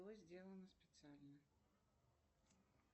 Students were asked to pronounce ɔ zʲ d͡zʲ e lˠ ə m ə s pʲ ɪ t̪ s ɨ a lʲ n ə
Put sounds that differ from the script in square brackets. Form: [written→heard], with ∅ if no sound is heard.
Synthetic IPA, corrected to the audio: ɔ zʲ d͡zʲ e lˠ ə [m→n] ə s pʲ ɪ t̪ s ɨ a lʲ n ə